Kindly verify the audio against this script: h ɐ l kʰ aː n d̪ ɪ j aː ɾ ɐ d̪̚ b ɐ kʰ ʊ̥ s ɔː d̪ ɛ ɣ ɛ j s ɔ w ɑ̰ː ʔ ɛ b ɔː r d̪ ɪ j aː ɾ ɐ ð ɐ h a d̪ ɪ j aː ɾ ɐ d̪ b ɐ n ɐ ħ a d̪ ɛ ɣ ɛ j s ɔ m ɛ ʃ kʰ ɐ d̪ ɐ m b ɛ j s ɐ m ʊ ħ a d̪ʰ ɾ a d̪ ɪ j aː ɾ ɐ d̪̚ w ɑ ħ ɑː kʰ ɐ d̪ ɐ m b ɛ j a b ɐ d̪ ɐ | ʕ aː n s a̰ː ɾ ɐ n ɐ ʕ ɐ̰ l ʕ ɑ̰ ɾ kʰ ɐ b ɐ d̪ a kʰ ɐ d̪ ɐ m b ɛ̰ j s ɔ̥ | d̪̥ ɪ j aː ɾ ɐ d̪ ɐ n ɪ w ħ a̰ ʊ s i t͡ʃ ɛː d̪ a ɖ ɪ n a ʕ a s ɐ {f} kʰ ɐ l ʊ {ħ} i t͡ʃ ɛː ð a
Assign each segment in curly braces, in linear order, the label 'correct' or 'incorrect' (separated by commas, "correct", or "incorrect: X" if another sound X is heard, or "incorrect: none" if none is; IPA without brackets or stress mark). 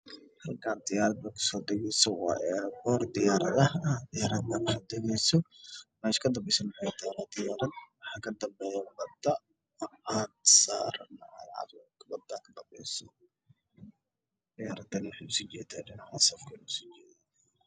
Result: correct, incorrect: s